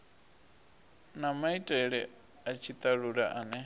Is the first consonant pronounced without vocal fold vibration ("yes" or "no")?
no